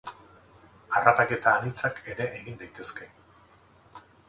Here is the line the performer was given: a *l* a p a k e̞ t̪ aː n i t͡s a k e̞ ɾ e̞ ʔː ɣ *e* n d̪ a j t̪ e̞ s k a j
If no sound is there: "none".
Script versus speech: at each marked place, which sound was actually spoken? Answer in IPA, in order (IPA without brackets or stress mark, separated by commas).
r, i